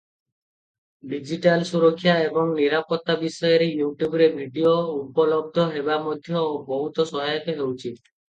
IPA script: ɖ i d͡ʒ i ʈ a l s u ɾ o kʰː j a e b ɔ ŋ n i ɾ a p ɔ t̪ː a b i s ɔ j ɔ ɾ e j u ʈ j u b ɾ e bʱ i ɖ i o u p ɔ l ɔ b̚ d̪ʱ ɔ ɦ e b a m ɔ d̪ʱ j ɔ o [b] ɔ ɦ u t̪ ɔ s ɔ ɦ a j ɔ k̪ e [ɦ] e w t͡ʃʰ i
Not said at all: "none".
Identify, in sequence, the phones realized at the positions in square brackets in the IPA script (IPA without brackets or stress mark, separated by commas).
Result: b, ɦ